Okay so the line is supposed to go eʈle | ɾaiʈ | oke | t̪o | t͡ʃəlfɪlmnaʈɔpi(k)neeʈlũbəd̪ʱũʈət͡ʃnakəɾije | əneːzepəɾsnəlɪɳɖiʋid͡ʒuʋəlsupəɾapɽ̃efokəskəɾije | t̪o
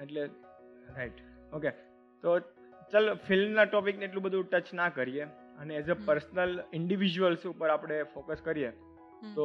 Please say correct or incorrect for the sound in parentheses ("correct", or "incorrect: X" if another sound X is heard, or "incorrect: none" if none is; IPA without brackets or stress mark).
correct